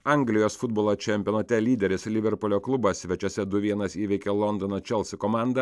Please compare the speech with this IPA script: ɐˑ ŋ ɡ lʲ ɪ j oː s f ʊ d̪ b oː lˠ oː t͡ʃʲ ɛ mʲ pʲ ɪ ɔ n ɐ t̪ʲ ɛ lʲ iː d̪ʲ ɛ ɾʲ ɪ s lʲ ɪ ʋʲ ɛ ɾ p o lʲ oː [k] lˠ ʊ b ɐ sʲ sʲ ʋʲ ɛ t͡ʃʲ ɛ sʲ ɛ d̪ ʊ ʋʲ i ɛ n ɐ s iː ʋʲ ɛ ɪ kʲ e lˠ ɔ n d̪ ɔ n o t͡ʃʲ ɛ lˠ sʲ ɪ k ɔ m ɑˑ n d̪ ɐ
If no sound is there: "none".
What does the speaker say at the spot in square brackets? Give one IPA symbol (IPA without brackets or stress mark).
k